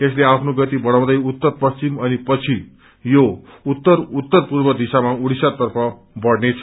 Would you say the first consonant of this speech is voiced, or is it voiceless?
voiceless